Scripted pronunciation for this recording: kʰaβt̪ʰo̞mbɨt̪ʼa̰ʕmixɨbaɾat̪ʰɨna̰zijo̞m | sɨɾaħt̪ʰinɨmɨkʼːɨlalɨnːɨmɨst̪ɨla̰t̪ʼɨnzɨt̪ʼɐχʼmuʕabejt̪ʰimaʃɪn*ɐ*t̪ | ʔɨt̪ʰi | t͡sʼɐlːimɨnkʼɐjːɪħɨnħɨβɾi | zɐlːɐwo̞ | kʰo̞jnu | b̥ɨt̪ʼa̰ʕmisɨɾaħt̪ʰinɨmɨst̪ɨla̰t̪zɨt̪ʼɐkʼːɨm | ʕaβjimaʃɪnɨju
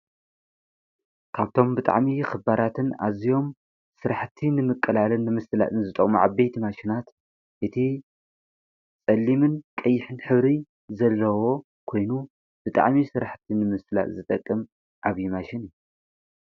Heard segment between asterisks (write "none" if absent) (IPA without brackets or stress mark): a